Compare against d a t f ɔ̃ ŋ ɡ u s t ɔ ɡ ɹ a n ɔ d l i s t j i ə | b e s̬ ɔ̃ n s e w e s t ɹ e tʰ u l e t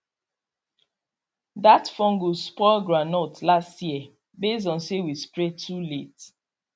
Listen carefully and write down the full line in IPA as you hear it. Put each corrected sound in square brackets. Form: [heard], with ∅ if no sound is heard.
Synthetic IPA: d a t f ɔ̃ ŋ ɡ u s [p] ɔ ɡ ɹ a n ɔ [t] l [a] s t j i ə | b e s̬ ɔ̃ n s e w [i] s [p] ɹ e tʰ u l e t